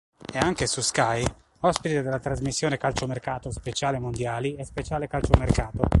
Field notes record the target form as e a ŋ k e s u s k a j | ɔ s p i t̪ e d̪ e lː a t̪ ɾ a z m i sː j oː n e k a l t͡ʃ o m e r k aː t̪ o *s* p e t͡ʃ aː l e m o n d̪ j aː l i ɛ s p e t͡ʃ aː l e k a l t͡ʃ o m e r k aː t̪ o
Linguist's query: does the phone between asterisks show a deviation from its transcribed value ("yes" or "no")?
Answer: no